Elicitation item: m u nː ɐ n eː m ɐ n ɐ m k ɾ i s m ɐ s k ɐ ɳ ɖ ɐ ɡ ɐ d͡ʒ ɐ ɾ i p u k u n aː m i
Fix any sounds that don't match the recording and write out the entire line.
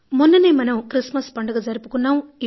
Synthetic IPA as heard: m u nː ɐ n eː m ɐ n ɐ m k ɾ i s m ɐ s p ɐ ɳ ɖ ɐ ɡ ɐ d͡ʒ ɐ ɾ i p u k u nː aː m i